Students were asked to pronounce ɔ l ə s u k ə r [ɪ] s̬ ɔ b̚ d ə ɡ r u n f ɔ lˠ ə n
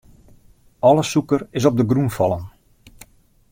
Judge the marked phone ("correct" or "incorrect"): correct